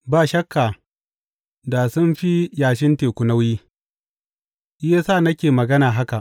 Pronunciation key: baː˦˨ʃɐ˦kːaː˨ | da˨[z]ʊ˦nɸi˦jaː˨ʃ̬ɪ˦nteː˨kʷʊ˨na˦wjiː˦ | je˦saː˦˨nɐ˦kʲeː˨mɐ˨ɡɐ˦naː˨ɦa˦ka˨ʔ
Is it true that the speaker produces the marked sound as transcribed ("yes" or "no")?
no